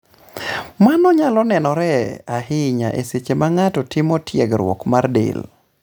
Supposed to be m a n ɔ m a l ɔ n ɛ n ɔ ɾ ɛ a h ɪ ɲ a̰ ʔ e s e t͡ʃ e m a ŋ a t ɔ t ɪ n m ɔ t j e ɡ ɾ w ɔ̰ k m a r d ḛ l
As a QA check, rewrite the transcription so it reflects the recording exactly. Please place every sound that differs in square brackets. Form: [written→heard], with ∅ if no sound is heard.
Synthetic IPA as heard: m a n ɔ [m→ɲ] a l ɔ n ɛ n ɔ ɾ ɛ a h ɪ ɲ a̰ ʔ e s e t͡ʃ e m a ŋ a t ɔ t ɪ [n→∅] m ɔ t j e ɡ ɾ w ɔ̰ k m a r d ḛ l